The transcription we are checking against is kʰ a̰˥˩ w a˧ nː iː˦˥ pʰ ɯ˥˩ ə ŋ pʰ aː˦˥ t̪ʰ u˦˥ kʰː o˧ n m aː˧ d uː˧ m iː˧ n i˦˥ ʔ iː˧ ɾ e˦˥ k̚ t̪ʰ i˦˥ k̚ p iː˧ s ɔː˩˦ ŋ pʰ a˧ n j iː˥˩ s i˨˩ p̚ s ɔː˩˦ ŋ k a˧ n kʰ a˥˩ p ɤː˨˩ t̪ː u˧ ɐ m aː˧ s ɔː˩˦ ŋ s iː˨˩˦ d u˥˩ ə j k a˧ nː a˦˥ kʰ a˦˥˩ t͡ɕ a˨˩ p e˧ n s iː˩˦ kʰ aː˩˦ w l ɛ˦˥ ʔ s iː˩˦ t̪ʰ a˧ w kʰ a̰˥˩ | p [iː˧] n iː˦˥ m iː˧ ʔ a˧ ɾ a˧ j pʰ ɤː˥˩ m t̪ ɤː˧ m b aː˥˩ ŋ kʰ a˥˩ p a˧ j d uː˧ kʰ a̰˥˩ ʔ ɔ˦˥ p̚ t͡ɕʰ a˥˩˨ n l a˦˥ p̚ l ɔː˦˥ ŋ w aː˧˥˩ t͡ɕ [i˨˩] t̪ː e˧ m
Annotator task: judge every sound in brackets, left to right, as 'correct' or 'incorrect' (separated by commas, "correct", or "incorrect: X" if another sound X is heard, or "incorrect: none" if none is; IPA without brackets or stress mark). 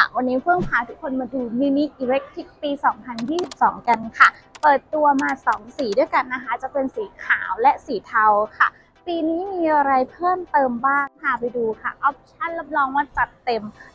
correct, incorrect: a˨˩